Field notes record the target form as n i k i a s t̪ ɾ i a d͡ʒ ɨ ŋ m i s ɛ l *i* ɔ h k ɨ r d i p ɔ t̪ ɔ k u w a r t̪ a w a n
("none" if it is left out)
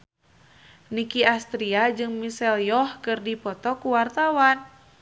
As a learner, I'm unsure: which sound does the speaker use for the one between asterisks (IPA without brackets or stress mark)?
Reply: j